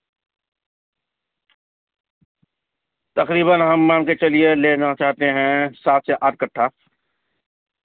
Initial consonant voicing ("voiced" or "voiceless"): voiceless